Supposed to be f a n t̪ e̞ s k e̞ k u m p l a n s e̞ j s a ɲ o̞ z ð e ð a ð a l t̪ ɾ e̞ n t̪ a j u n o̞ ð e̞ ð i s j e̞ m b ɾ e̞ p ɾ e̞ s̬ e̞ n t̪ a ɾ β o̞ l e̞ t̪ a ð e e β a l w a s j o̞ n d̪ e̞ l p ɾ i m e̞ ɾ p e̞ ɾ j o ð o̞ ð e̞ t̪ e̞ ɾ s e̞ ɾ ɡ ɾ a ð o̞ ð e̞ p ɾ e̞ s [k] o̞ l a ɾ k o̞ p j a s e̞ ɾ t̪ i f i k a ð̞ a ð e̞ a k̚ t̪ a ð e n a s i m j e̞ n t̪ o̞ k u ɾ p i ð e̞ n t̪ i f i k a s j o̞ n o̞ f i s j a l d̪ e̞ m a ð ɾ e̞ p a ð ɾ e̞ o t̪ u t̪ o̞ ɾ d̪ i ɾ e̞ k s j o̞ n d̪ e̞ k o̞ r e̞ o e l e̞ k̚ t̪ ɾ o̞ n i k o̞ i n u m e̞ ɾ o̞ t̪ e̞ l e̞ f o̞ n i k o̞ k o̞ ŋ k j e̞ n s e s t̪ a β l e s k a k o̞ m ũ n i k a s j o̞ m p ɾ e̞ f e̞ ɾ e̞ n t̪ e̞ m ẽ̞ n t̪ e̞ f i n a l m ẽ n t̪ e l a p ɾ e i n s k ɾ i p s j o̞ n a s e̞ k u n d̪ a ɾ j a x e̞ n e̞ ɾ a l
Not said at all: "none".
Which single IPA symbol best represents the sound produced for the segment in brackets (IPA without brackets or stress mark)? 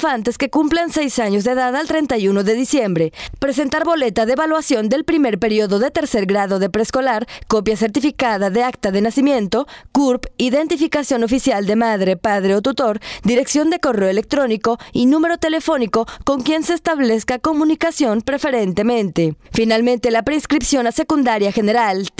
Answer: k